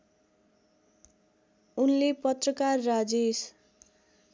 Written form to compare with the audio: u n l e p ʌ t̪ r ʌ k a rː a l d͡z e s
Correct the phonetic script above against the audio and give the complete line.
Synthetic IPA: u n l e p ʌ t̪ r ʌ k a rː a d͡z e s

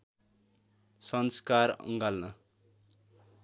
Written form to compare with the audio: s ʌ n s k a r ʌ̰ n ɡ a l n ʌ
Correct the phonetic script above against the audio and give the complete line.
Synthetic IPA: s ʌ n s k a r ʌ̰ ŋ ɡ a l n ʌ

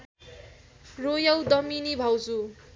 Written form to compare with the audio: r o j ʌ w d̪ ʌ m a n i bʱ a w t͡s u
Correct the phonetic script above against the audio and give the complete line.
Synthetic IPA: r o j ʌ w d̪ ʌ m i n i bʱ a w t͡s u

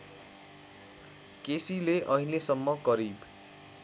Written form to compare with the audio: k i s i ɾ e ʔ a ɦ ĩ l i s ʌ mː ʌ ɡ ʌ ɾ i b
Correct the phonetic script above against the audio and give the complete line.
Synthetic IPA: k e s i l e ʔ ʌ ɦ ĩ l e s ʌ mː ʌ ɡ ʌ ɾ i b

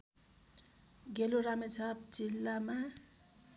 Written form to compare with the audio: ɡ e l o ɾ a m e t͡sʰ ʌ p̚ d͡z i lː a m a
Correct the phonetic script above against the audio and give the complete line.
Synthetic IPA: ɡ e l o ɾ a m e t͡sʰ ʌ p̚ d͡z i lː a m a

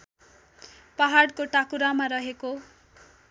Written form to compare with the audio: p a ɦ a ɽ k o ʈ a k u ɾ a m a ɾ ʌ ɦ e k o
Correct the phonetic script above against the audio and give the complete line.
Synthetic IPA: p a ɦ a ɽ k o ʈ a k u ɾ a m a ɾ ʌ ɦ e k o

